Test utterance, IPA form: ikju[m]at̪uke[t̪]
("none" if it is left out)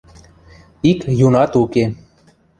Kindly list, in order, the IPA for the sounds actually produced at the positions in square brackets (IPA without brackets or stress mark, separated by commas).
n, none